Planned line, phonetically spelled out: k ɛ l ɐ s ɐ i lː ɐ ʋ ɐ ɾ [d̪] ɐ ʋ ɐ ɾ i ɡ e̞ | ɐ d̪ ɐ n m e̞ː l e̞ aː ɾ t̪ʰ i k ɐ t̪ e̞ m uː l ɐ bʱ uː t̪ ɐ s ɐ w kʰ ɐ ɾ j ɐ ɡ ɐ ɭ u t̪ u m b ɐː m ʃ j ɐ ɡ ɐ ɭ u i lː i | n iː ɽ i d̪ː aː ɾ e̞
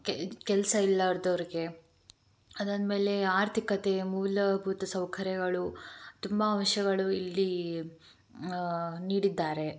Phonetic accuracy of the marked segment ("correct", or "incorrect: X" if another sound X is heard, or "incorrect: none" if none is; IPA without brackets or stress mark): correct